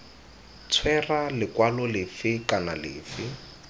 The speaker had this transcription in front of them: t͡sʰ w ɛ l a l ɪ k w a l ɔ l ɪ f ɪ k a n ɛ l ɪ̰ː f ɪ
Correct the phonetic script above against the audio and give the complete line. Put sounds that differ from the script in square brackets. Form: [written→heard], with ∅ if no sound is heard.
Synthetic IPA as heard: t͡sʰ w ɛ [l→r] a l ɪ k w a l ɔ l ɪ f ɪ k a n [ɛ→a] l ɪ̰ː f ɪ